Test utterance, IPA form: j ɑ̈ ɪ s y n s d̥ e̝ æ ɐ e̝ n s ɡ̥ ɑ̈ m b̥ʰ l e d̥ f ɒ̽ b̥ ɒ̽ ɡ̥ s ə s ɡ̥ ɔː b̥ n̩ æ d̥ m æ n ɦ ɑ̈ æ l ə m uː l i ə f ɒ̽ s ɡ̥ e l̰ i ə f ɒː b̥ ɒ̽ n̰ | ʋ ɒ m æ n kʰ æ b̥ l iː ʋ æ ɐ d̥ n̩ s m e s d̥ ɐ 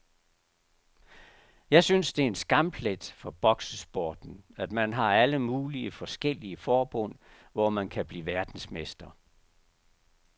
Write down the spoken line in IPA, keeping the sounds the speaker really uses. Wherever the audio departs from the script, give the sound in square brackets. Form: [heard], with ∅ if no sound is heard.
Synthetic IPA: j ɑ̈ ɪ s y n s d̥ e̝ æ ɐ e̝ n s ɡ̥ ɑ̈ m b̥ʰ l e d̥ f ɒ̽ b̥ ɒ̽ ɡ̥ s ə s [b̥] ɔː [d̥] n̩ æ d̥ m æ n ɦ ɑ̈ æ l ə m uː l i ə f ɒ̽ s ɡ̥ e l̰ i ə f ɒː b̥ [ɔ̽] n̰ | ʋ ɒ m æ n kʰ æ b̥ l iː ʋ æ ɐ d̥ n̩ s m e s d̥ ɐ